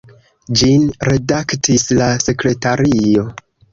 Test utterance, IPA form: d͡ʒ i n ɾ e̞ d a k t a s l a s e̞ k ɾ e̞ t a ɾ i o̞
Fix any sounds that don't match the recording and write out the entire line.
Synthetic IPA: d͡ʒ i n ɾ e̞ d a k t i s l a s e̞ k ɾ e̞ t a ɾ i o̞